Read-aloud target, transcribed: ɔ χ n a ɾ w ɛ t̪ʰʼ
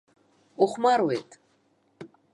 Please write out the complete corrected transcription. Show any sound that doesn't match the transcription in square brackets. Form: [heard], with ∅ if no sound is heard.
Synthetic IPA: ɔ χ [m] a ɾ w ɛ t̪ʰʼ